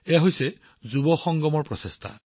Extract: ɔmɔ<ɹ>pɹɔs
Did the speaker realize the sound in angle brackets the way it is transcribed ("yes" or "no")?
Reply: yes